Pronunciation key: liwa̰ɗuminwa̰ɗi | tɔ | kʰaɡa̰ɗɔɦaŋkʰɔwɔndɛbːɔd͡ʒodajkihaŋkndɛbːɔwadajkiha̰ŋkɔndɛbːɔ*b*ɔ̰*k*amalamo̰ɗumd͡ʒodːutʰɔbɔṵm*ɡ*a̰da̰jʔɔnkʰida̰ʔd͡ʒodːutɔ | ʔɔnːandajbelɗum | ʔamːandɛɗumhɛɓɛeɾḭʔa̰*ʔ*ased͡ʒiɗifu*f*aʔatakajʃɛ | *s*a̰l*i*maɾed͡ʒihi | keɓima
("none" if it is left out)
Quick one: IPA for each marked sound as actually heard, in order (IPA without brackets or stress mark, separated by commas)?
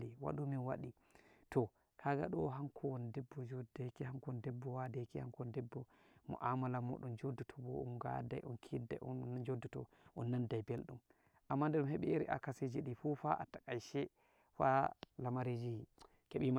m, ʔ, ɡ, k, f, f, a